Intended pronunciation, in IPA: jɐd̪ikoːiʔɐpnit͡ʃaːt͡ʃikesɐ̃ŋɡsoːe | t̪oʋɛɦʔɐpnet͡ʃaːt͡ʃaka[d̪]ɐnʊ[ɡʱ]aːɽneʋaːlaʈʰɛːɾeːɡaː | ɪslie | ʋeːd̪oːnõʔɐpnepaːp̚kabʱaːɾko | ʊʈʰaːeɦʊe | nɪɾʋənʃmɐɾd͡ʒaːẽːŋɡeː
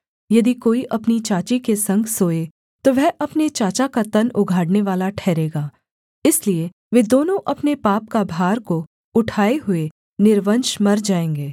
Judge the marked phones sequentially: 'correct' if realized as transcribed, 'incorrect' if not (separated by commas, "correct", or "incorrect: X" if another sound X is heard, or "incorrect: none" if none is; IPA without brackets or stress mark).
incorrect: t̪, correct